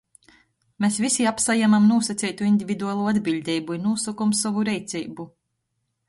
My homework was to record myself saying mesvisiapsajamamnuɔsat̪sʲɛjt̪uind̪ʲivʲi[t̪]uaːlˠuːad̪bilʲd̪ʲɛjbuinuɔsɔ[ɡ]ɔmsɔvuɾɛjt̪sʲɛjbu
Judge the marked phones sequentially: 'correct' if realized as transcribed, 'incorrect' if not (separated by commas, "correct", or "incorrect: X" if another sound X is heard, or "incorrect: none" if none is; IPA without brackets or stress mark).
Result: incorrect: d̪, incorrect: k